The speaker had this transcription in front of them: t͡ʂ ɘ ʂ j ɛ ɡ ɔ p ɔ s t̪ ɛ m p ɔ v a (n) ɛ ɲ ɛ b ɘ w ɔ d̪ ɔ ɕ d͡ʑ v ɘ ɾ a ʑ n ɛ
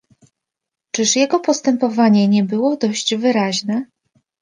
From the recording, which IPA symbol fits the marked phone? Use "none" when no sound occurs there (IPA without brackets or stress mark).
ɲ